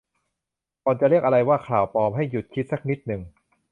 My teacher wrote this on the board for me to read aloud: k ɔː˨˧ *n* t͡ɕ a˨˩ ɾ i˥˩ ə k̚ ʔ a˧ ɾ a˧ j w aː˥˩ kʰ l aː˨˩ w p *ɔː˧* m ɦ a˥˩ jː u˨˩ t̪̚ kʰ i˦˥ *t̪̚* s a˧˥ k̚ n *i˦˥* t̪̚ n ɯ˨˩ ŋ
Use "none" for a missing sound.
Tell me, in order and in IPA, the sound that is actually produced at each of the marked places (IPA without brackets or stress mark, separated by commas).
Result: n, ɔː˧, t̪̚, i˦˥